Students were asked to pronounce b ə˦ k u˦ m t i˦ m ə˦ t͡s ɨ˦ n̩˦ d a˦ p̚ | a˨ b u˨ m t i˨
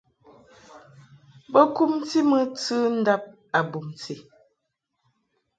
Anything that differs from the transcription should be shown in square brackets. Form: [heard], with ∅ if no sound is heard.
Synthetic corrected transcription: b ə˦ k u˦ m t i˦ m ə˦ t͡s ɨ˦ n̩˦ d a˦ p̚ | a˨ b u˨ m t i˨